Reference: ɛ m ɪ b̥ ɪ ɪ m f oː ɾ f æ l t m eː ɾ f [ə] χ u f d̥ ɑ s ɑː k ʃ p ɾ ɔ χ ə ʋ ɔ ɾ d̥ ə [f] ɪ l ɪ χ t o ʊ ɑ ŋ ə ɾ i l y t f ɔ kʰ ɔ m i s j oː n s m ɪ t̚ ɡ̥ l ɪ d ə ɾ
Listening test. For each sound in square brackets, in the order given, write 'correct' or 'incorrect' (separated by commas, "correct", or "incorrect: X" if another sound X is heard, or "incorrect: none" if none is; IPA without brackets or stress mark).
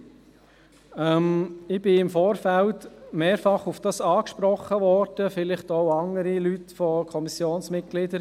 incorrect: ɑ, correct